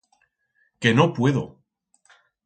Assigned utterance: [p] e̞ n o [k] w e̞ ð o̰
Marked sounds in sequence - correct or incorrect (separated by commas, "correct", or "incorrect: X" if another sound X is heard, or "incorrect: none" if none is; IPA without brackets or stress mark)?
incorrect: k, incorrect: p